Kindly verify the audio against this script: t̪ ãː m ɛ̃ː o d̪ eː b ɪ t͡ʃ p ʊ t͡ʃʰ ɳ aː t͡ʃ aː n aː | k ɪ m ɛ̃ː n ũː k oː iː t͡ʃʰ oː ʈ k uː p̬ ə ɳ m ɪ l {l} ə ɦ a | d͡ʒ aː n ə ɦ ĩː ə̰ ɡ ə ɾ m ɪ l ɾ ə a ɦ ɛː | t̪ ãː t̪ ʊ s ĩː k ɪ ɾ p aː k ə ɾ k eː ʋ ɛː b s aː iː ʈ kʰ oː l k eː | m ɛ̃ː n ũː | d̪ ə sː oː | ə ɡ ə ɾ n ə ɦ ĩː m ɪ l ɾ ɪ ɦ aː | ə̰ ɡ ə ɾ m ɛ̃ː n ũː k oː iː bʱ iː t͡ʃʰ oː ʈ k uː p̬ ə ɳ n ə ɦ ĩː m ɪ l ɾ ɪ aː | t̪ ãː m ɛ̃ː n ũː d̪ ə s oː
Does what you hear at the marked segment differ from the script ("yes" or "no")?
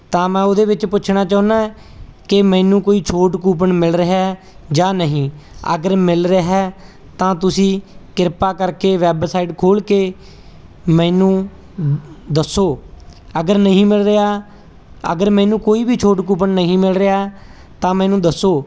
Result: yes